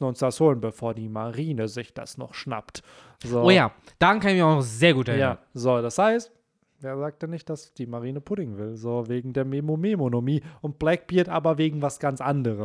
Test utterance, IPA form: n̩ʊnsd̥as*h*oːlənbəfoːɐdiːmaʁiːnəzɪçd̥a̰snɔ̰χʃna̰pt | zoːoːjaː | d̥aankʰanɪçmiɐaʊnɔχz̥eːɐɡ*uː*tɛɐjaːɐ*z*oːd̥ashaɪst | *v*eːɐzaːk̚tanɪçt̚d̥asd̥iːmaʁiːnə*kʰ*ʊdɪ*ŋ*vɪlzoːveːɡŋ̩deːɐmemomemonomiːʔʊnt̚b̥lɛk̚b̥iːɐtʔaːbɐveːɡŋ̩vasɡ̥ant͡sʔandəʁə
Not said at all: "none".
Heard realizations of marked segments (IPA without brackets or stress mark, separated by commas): h, uː, z, v, pʰ, ŋ